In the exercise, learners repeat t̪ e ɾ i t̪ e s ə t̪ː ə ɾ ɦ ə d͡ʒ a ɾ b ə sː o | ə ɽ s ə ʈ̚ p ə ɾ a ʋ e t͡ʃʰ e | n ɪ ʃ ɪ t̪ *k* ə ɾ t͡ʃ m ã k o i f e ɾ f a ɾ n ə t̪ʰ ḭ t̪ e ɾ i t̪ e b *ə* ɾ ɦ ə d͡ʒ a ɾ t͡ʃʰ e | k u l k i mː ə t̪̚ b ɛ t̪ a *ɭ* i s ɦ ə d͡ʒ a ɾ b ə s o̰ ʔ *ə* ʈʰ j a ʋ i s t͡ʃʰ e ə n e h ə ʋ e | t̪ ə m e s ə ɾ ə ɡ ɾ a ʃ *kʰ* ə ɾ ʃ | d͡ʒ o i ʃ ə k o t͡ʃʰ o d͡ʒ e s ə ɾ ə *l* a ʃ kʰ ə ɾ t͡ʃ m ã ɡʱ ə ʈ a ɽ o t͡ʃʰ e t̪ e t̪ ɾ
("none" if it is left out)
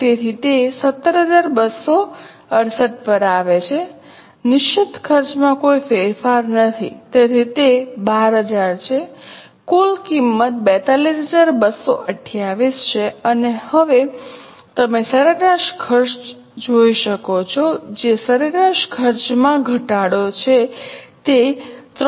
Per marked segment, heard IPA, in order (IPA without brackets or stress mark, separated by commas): kʰ, a, l, ə, kʰ, ɾ